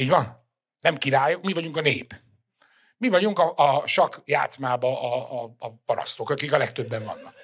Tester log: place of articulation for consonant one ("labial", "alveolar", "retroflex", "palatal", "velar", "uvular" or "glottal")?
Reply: palatal